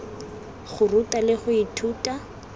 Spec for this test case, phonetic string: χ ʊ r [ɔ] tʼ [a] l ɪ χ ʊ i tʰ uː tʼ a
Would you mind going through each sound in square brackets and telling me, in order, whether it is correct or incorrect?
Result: incorrect: u, correct

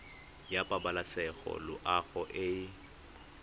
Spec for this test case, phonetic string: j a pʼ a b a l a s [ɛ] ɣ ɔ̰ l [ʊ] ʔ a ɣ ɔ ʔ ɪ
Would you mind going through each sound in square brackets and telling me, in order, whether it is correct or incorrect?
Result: correct, correct

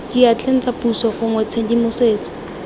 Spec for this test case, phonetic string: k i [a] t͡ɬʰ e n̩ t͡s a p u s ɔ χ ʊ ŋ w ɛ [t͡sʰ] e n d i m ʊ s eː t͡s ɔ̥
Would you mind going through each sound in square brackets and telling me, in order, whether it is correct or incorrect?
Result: correct, correct

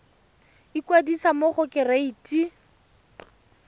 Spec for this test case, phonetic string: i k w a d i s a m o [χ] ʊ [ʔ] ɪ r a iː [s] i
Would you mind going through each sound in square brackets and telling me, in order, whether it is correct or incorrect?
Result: correct, incorrect: k, incorrect: t

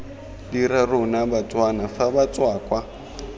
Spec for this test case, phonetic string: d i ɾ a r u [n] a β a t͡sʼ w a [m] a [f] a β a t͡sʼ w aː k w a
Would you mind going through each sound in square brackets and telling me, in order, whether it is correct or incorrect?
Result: correct, incorrect: n, correct

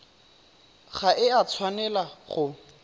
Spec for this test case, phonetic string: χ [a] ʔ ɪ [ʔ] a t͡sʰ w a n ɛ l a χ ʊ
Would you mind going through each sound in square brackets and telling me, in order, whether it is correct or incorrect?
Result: correct, incorrect: none

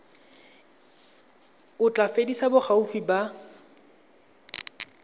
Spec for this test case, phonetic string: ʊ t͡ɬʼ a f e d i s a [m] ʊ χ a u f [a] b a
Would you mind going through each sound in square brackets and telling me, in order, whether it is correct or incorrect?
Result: incorrect: b, incorrect: i

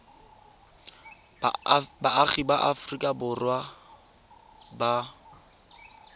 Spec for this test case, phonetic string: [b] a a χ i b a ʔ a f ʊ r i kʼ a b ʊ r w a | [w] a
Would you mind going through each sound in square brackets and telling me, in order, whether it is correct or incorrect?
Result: correct, incorrect: b

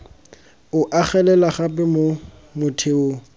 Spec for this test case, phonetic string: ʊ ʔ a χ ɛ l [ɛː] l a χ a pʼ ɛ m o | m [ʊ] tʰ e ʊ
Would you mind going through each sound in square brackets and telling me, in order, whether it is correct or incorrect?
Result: incorrect: ɛ, correct

